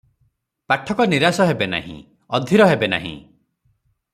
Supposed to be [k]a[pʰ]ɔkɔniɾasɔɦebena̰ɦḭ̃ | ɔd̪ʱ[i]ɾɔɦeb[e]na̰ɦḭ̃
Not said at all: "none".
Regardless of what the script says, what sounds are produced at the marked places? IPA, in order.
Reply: p, ʈʰ, i, e

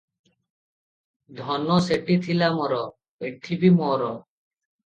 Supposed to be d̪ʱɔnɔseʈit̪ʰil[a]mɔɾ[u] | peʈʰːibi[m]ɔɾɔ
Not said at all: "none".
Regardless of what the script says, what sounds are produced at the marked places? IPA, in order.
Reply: a, ɔ, m

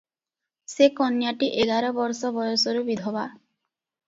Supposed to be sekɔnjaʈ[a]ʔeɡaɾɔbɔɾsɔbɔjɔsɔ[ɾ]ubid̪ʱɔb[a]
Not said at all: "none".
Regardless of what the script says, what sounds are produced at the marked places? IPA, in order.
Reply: i, ɾ, a

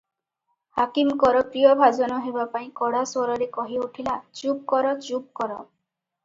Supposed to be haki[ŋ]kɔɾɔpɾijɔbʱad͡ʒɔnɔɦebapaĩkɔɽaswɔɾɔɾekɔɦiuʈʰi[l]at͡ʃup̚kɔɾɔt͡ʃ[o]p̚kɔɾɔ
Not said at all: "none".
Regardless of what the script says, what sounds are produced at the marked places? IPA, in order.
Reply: m, l, u

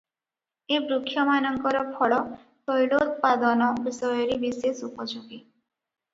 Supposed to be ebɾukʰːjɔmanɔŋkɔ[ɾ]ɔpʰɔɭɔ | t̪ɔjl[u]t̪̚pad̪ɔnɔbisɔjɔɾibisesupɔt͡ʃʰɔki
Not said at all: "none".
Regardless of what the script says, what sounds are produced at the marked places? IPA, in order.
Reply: ɾ, o

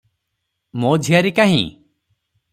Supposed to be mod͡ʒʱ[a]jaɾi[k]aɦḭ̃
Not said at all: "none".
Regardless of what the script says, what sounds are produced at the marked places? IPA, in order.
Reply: i, k

